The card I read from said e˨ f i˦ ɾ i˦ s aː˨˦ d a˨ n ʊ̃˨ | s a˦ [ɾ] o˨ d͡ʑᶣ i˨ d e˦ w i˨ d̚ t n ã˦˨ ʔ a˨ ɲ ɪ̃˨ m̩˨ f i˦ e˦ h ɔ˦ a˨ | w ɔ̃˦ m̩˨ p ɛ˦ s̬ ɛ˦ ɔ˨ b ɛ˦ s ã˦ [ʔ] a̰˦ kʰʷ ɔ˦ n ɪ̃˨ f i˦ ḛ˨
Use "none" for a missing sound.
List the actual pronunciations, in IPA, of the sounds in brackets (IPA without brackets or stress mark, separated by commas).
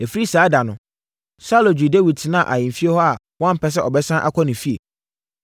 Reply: l, ʔ